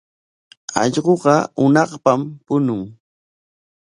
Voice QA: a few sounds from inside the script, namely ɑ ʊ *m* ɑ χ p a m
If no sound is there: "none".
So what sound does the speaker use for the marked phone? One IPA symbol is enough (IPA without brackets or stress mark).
n